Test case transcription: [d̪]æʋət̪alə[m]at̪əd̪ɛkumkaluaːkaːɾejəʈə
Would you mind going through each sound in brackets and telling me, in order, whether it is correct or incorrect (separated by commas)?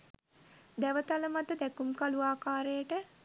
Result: correct, correct